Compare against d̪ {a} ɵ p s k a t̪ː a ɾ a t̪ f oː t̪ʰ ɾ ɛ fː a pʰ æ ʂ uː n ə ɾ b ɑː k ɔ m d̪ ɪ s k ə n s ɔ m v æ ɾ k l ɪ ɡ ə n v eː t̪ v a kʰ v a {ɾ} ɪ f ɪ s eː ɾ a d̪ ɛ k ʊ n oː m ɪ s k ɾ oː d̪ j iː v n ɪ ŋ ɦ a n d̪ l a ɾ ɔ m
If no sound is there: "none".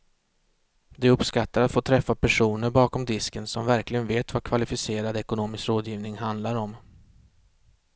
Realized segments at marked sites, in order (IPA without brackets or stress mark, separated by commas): ɛ, l